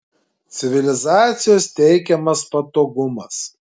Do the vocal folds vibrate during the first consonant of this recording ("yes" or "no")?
no